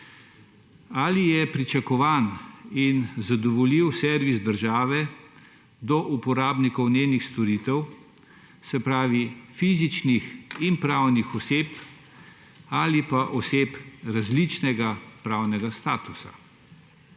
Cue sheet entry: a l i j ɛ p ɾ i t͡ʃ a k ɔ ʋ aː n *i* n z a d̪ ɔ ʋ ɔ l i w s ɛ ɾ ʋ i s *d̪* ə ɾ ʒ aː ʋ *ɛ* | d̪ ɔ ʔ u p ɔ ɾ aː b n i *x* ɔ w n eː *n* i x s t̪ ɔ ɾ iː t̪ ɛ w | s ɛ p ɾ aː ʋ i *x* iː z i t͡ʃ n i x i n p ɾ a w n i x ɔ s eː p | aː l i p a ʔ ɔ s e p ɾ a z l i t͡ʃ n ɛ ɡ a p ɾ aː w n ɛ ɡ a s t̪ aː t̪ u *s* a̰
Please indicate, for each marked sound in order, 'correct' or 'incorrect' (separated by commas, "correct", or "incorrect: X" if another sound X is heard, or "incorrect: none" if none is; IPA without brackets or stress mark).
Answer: correct, correct, correct, incorrect: k, correct, incorrect: f, correct